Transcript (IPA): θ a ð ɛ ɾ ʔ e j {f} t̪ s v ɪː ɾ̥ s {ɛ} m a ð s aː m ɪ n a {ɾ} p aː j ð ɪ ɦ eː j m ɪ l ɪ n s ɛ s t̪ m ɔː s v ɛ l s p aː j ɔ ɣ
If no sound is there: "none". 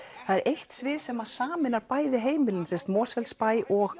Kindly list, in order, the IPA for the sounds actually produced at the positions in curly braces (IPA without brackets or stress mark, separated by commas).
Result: h, ɛ, ɾ